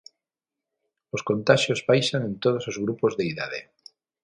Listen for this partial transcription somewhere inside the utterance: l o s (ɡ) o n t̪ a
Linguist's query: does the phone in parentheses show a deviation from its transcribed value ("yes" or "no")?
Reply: yes